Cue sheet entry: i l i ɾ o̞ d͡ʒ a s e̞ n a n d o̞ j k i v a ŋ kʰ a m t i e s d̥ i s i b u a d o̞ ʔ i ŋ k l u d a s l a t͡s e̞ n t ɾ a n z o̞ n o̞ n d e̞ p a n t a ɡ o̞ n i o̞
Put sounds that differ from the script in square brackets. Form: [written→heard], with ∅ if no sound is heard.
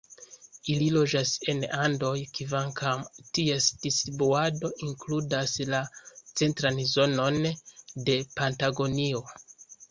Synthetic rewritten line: i l i [ɾ→l] o̞ d͡ʒ a s e̞ n a n d o̞ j k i v a ŋ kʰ a m t i e s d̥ i s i b u a d o̞ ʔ i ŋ k l u d a s l a t͡s e̞ n t ɾ a n z o̞ n o̞ n d e̞ p a n t a ɡ o̞ n i o̞